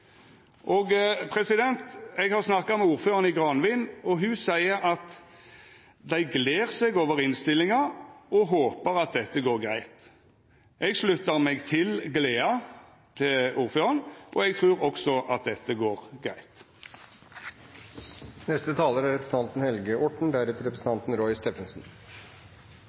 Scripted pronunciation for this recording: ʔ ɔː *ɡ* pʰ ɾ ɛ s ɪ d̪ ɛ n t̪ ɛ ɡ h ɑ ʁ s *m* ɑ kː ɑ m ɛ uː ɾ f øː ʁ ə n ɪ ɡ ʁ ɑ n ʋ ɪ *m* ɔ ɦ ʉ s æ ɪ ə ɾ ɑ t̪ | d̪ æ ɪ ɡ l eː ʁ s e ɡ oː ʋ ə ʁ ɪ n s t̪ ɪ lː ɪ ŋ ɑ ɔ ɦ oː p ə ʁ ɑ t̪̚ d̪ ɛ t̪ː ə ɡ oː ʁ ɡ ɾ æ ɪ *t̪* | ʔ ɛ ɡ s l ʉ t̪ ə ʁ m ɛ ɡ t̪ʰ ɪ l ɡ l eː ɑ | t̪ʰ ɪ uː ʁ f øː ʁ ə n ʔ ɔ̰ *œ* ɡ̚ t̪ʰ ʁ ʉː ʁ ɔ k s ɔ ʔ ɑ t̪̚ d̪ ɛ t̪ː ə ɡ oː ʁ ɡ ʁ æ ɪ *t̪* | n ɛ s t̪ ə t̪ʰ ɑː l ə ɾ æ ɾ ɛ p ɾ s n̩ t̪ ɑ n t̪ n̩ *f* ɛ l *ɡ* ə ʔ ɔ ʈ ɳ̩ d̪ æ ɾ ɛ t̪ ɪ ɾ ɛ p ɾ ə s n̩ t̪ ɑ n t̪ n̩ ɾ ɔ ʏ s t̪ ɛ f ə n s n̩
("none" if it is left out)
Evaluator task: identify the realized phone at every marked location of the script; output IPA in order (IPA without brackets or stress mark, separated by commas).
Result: ɡ, n, n, t̪, ɛ, t̪, h, ɡ